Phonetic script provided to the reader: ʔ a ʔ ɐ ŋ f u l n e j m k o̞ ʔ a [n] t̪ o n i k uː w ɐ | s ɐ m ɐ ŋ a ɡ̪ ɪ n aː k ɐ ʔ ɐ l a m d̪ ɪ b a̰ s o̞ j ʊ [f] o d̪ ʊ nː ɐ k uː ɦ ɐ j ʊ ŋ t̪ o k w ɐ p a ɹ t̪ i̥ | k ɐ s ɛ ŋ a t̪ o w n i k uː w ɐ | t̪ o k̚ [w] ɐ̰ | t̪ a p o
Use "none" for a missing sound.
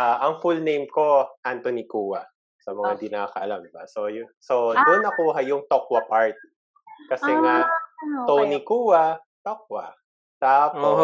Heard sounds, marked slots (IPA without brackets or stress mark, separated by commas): n, s, w